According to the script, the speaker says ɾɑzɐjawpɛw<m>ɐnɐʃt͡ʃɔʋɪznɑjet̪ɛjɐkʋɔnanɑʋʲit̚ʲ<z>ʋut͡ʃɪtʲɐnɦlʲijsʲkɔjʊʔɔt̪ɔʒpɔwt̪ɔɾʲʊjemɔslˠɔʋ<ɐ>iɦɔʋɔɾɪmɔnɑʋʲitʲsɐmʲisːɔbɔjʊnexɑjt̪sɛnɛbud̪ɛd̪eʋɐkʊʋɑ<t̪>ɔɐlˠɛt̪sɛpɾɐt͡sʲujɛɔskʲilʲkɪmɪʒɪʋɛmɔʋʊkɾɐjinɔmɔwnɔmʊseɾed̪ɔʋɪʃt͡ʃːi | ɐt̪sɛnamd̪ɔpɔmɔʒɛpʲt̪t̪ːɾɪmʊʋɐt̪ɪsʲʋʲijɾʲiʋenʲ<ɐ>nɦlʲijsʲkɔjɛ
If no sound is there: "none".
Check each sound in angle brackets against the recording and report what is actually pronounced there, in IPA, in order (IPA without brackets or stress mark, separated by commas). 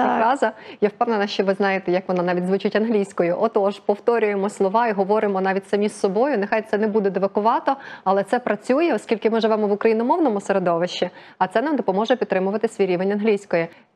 n, z, ɑ, t̪, ɐ